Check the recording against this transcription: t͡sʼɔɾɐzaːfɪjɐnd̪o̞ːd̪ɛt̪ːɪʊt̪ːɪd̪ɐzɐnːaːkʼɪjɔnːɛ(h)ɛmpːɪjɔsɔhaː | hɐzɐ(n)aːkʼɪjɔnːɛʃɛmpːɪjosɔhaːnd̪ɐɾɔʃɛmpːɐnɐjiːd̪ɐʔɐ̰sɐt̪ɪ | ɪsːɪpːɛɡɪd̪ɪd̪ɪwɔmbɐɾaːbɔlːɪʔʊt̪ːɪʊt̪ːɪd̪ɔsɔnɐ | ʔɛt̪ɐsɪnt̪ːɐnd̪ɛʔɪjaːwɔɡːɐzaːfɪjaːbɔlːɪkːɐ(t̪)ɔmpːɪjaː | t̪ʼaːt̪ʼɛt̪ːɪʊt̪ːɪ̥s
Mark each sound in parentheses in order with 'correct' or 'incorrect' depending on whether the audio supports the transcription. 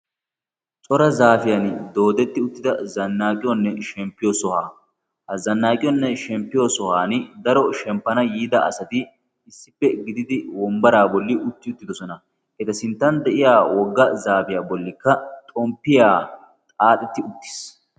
incorrect, incorrect, incorrect

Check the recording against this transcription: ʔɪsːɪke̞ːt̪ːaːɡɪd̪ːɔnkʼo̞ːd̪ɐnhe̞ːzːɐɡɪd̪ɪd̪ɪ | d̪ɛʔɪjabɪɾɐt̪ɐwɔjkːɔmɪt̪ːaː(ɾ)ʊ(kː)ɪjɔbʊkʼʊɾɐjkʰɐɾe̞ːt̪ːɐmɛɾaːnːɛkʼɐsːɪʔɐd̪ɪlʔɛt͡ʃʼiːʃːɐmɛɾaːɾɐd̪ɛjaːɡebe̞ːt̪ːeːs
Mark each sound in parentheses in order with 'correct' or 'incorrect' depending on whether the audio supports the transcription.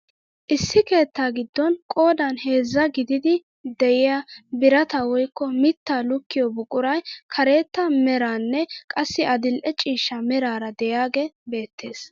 incorrect, correct

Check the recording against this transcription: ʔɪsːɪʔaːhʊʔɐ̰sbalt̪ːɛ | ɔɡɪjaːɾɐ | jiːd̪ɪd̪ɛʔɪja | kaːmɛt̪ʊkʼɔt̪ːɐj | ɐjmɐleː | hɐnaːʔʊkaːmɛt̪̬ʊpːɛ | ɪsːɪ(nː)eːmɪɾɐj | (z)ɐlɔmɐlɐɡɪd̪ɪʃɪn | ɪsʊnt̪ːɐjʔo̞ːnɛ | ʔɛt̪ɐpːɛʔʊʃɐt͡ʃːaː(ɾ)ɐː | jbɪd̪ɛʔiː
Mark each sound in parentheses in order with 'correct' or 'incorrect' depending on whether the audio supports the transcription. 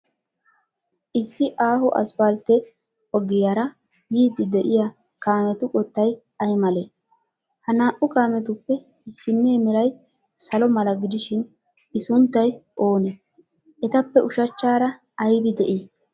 correct, incorrect, correct

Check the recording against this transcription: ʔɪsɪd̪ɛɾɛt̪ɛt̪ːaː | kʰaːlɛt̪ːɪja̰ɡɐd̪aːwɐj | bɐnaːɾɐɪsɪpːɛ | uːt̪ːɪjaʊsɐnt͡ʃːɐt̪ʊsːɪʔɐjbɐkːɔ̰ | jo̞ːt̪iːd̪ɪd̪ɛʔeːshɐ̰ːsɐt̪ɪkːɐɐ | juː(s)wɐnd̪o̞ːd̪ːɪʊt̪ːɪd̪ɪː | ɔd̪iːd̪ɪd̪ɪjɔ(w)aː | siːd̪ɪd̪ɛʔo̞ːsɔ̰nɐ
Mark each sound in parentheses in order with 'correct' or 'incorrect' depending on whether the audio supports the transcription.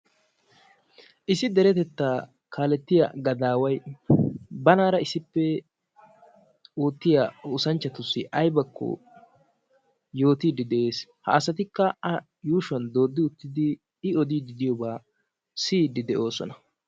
incorrect, incorrect

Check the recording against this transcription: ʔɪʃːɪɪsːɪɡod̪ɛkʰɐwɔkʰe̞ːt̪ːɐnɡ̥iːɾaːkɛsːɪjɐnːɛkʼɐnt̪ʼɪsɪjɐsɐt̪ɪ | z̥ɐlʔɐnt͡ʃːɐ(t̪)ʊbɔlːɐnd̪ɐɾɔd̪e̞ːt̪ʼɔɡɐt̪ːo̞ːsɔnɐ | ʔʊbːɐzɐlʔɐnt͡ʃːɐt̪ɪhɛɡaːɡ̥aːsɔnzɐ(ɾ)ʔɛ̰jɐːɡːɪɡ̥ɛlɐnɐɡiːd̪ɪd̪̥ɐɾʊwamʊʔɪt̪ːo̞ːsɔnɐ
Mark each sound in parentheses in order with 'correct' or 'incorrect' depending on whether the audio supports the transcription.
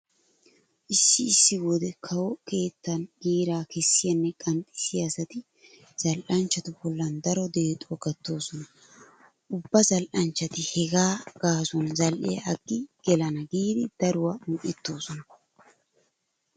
correct, incorrect

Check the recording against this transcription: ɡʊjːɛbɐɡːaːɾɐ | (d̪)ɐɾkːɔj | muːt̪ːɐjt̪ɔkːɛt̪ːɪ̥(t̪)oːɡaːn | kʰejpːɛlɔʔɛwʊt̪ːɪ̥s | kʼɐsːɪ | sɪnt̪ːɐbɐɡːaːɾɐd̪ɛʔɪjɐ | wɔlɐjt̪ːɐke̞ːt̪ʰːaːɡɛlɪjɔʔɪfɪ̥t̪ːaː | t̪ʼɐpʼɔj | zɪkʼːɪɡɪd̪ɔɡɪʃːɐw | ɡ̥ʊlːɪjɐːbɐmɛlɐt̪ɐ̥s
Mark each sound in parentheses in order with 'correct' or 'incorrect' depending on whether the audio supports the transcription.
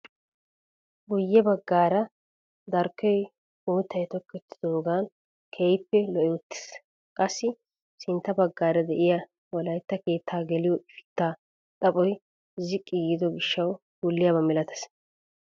correct, incorrect

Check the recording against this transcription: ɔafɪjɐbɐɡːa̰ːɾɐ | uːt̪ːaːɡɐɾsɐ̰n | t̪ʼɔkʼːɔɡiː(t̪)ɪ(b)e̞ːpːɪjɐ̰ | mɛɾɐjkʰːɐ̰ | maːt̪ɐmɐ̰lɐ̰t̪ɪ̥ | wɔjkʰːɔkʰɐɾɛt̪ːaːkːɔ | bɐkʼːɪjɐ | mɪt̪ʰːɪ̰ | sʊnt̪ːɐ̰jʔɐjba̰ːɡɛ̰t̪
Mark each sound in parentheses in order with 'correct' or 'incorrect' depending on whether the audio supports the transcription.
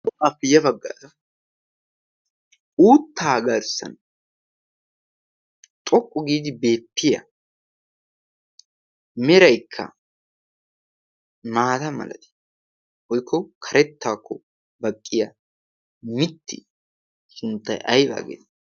incorrect, correct

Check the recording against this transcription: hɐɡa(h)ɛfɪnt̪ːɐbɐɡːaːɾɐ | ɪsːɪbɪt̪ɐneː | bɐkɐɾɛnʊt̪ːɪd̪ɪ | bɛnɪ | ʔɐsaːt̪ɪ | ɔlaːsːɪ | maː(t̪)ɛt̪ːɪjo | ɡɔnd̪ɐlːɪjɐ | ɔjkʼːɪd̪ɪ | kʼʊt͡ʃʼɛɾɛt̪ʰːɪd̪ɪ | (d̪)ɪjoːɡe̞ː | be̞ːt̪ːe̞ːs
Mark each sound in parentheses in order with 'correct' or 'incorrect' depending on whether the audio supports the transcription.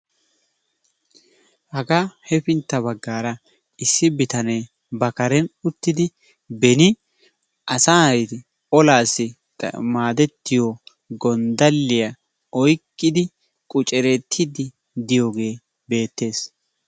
correct, incorrect, correct

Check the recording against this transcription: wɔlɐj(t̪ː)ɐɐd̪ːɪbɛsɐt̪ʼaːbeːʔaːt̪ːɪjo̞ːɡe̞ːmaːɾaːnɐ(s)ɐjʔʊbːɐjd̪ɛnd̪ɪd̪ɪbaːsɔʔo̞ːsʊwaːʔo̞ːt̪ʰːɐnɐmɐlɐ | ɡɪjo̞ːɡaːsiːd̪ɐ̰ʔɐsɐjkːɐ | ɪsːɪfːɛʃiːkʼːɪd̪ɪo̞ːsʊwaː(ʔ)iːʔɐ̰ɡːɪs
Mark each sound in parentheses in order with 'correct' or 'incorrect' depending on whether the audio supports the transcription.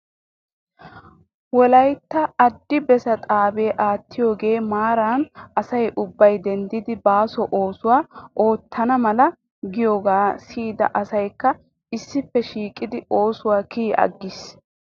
correct, correct, incorrect

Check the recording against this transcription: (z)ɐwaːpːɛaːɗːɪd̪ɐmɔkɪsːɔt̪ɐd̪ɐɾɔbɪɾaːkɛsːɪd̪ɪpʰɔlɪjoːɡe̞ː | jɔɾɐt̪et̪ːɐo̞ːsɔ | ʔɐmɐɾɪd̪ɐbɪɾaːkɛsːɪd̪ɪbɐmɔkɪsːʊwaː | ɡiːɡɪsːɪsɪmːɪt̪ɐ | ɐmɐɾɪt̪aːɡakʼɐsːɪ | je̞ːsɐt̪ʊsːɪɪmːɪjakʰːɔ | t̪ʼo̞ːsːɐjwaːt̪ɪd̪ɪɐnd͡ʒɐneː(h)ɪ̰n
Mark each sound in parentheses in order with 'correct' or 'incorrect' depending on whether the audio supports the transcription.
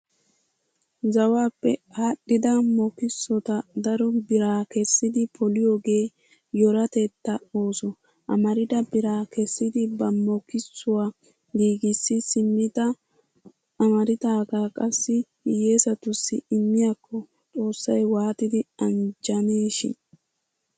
correct, incorrect

